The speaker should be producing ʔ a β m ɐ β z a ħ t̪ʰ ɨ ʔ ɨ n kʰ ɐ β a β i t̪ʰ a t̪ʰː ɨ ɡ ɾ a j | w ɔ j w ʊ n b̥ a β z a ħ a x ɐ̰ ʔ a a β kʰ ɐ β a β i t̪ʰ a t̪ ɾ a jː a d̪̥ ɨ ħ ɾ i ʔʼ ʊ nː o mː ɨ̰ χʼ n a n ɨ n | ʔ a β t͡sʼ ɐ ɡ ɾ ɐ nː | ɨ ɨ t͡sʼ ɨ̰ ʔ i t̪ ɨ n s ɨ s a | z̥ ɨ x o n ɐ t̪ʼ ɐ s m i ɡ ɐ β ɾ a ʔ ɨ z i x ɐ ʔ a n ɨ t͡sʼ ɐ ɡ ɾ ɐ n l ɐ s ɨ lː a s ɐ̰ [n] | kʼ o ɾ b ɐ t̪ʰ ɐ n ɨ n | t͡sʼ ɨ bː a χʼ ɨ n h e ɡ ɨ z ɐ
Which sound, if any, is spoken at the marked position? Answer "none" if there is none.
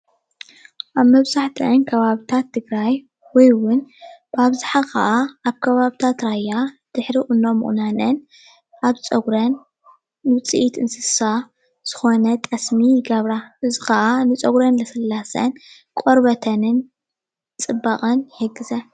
n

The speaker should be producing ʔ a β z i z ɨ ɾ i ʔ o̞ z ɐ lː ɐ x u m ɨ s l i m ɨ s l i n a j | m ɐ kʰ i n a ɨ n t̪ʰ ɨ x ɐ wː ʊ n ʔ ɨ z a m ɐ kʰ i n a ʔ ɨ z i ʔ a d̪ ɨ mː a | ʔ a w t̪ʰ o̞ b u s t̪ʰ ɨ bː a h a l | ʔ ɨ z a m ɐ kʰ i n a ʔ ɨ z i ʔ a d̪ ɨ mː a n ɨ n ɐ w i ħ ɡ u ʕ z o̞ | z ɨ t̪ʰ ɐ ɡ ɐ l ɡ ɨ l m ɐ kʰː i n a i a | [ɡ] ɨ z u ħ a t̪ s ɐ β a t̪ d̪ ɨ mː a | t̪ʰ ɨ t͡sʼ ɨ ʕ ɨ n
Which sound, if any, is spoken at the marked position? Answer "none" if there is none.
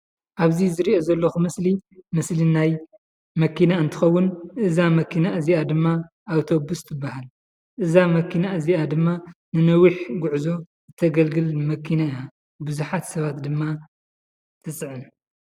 b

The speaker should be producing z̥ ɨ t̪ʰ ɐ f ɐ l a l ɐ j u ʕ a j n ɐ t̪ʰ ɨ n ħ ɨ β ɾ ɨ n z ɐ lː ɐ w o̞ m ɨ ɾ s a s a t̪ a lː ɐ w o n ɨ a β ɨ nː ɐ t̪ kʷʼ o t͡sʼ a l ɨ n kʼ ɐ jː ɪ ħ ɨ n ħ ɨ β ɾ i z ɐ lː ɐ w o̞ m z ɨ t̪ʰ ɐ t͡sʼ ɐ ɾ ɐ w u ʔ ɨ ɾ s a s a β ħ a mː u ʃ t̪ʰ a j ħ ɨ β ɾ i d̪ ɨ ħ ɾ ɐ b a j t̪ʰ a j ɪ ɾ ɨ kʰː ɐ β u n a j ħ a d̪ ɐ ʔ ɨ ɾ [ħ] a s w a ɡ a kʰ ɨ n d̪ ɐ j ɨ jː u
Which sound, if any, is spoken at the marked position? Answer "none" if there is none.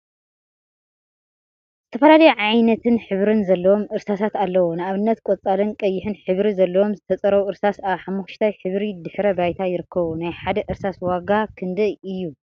s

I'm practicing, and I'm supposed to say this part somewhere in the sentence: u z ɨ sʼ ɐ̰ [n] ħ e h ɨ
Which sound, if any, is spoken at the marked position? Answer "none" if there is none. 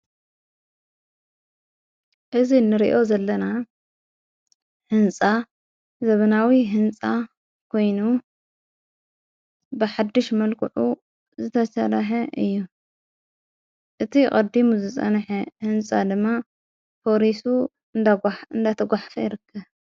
n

